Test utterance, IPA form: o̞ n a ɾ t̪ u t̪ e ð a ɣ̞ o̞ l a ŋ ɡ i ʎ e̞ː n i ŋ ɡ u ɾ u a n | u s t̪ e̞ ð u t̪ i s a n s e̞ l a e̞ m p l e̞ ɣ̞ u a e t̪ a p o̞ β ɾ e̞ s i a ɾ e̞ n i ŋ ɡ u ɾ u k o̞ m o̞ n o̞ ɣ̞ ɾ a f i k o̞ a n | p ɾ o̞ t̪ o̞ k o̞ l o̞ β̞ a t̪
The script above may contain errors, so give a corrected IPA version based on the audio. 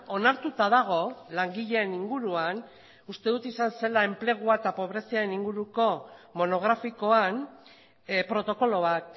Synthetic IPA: o̞ n a ɾ t̪ u t̪ a ð a ɣ̞ o̞ l a ŋ ɡ i ʎ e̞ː n i ŋ ɡ u ɾ u a n | u s t̪ e̞ ð u t̪ i s a n s e̞ l a e̞ m p l e̞ ɣ̞ u a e t̪ a p o̞ β ɾ e̞ s i a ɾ e̞ n i ŋ ɡ u ɾ u k o̞ m o̞ n o̞ ɣ̞ ɾ a f i k o̞ a n | p ɾ o̞ t̪ o̞ k o̞ l o̞ β̞ a t̪